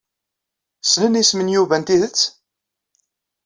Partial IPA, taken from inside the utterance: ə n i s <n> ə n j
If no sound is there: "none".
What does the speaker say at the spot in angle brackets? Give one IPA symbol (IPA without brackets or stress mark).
m